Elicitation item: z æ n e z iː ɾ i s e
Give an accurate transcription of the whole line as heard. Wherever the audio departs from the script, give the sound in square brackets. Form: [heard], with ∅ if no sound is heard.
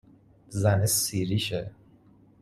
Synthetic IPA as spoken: z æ n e [s] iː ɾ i [ʃ] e

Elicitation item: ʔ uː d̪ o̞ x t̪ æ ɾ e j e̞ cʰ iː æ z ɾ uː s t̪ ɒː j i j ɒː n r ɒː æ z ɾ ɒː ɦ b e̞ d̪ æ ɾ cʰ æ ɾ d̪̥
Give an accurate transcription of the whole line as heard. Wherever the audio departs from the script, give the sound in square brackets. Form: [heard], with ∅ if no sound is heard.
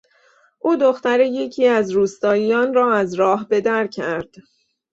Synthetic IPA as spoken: ʔ uː d̪ o̞ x t̪ æ ɾ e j e̞ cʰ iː æ z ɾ uː s t̪ ɒː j i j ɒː n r ɒː æ z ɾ ɒː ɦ b e̞ d̪ æ ɾ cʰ æ ɾ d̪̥

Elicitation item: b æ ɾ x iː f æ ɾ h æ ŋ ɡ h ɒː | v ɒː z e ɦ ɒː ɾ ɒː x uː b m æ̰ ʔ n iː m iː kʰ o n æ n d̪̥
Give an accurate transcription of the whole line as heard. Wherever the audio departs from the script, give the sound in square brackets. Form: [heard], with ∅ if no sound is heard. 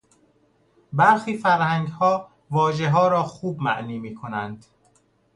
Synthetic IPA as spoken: b æ ɾ x iː f æ ɾ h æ ŋ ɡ h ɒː | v ɒː [ʒ] e ɦ ɒː ɾ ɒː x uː b m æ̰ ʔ n iː m iː kʰ o n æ n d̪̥

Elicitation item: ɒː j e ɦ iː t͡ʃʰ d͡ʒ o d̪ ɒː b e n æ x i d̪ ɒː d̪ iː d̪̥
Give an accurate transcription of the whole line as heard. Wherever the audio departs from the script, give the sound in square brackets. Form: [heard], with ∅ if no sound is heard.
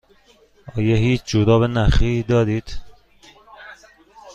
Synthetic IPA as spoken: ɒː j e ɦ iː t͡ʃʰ d͡ʒ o d̪ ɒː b e n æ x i d̪ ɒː d̪ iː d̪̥

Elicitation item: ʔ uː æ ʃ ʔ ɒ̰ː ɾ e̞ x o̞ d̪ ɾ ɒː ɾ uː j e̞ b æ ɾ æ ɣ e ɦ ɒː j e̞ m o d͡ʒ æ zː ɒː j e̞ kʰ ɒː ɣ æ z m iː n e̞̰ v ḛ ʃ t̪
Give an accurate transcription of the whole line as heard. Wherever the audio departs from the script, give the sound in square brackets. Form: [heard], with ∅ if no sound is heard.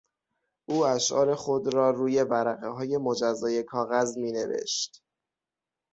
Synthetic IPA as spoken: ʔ uː æ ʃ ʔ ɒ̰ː ɾ e̞ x o̞ d̪ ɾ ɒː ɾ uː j e̞ b æ ɾ æ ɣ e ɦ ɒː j e̞ m o d͡ʒ æ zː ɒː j e̞ kʰ ɒː ɣ æ z m iː n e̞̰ v ḛ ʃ t̪

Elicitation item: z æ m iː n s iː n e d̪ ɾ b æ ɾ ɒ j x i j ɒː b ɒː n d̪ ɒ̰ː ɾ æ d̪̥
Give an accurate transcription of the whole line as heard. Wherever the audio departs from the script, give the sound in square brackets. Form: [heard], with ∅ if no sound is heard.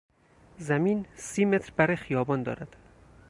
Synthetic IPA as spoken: z æ m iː n s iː [m] e [t̪] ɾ b æ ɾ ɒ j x i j ɒː b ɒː n d̪ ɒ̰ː ɾ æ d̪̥

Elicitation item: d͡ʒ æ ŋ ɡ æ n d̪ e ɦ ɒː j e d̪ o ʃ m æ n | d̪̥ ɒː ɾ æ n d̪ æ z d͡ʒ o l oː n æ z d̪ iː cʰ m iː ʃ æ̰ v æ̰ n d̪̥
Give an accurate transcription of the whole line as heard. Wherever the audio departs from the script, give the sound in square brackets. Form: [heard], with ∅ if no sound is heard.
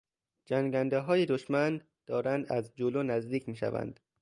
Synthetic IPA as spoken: d͡ʒ æ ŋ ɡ æ n d̪ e ɦ ɒː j e d̪ o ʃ m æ n | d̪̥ ɒː ɾ æ n d̪ æ z d͡ʒ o l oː n æ z d̪ iː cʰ m iː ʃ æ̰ v æ̰ n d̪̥

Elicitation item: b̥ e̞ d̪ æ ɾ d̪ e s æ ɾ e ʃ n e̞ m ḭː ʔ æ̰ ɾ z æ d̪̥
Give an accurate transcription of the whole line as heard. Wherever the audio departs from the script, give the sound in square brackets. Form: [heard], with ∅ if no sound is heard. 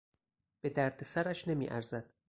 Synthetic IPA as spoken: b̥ e̞ d̪ æ ɾ d̪ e s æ ɾ [æ] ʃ n e̞ m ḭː ʔ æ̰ ɾ z æ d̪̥

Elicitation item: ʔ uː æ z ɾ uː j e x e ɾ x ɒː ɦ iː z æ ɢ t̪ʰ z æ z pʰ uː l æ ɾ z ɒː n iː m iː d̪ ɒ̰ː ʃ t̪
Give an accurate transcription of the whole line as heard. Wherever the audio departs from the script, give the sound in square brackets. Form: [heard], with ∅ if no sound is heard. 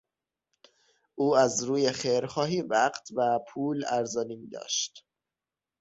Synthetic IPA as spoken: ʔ uː æ z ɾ uː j e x e ɾ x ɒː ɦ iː [v] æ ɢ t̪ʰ [v] æ [∅] pʰ uː l æ ɾ z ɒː n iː m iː d̪ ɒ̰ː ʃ t̪

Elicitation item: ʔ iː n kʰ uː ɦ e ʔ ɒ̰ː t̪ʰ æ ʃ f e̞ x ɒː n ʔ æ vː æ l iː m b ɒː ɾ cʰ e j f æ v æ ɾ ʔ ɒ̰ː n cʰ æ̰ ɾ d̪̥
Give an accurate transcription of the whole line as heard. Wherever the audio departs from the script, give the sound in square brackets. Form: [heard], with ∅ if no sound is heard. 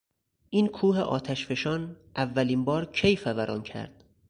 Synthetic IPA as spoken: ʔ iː n kʰ uː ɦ e ʔ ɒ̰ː t̪ʰ æ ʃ f e̞ [ʃ] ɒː n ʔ æ vː æ l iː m b ɒː ɾ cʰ e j f æ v æ ɾ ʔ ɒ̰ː n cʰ æ̰ ɾ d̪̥

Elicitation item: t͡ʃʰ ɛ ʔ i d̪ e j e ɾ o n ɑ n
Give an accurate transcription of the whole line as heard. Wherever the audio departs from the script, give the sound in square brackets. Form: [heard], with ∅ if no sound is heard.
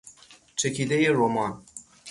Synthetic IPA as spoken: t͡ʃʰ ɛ [k] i d̪ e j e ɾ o [m] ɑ n

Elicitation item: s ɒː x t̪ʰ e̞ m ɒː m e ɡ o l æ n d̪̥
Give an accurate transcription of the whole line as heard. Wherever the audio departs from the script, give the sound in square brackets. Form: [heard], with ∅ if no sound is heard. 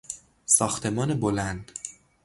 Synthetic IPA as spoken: s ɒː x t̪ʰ e̞ m ɒː [n] e [b] o l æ n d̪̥

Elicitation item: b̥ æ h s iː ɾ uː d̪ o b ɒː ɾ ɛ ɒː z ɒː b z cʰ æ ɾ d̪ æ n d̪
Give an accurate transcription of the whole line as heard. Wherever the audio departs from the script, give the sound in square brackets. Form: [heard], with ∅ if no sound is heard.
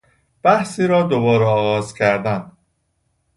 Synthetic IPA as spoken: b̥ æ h s iː ɾ [ɒː] d̪ o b ɒː ɾ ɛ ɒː [ɣ] ɒː [∅] z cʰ æ ɾ d̪ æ n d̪

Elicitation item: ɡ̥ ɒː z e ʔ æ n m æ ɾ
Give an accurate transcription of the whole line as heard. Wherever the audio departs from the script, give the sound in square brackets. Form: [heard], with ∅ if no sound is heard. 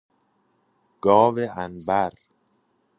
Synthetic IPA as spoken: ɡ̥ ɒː [v] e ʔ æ n [b] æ ɾ

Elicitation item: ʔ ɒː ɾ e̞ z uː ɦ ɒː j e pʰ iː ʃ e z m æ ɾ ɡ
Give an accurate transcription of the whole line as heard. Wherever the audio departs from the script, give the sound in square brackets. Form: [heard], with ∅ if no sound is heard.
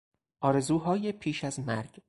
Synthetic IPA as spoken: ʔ ɒː ɾ e̞ z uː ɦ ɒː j e pʰ iː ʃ [æ] z m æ ɾ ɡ

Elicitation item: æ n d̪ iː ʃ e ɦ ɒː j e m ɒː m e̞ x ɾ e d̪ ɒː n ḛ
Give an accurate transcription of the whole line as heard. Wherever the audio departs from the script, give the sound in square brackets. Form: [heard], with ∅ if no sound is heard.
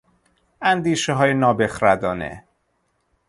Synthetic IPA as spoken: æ n d̪ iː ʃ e ɦ ɒː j e [n] ɒː [b] e̞ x ɾ [æ] d̪ ɒː n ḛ

